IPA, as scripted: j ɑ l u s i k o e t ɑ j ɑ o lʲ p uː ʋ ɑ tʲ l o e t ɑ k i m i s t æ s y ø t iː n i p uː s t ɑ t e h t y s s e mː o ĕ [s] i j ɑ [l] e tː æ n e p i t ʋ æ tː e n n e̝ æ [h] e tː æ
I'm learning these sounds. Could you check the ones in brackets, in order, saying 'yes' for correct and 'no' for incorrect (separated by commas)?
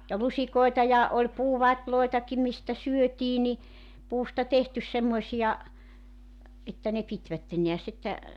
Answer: yes, no, no